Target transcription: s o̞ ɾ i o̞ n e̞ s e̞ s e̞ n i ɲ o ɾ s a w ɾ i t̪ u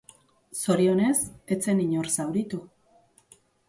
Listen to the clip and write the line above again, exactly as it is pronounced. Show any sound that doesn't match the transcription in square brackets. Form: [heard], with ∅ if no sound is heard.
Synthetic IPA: s o̞ ɾ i o̞ n e̞ s e̞ [t͡s] e̞ n i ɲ o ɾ s a w ɾ i t̪ u